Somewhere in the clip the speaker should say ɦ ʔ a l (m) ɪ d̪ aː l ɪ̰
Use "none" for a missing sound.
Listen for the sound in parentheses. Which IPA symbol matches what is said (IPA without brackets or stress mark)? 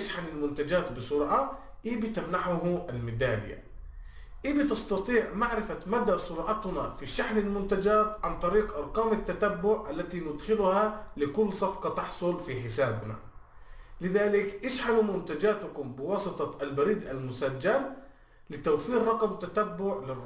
m